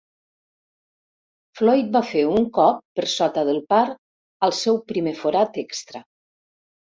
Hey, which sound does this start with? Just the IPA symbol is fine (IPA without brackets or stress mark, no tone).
f